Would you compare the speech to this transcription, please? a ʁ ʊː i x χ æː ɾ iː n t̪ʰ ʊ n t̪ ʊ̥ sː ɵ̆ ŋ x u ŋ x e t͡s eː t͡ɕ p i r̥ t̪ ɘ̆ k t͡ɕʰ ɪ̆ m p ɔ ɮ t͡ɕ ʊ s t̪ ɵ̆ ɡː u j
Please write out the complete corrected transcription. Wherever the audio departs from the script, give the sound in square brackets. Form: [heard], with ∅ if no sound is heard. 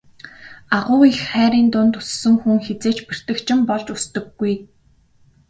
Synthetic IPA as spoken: a ʁ ʊː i x χ æː ɾ iː n [t̪] ʊ n t̪ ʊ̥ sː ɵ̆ ŋ x u ŋ x e t͡s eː t͡ɕ p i r̥ t̪ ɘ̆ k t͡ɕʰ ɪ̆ m p ɔ ɮ t͡ɕ ʊ s t̪ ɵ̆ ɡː u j